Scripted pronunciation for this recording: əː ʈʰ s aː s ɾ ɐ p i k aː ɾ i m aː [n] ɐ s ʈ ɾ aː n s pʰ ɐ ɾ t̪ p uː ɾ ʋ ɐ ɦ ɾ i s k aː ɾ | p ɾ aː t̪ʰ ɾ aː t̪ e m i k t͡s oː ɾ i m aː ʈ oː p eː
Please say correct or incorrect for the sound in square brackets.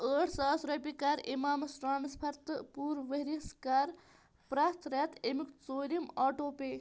incorrect